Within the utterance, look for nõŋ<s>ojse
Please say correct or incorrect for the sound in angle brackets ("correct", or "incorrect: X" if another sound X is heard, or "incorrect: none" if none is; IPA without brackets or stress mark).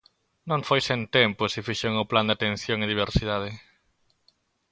incorrect: f